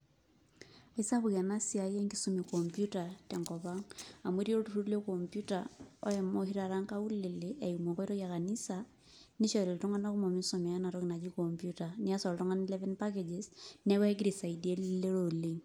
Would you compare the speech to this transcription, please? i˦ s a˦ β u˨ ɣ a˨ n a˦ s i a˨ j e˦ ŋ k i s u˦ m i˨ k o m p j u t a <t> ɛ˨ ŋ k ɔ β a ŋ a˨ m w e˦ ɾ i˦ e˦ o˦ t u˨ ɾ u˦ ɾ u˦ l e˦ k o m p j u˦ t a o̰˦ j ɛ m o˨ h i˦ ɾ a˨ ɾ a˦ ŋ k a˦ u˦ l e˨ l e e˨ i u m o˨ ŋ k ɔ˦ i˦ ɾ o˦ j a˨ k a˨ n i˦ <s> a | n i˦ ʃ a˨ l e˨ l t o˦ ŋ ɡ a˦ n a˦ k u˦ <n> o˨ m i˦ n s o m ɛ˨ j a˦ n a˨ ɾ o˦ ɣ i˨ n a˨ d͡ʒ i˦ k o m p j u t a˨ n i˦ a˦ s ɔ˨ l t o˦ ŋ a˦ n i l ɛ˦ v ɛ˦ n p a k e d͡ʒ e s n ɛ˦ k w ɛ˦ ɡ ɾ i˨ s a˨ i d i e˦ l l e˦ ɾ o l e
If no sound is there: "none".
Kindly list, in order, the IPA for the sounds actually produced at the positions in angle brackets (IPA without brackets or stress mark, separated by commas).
t, s, m